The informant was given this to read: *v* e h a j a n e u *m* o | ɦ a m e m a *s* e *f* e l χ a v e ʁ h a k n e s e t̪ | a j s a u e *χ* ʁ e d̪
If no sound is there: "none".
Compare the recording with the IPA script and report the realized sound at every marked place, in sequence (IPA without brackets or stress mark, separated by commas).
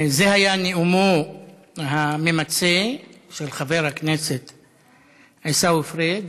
z, m, t͡s, ʃ, f